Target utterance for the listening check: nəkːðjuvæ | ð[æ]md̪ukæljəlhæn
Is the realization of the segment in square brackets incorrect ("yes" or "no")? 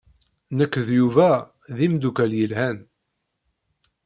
yes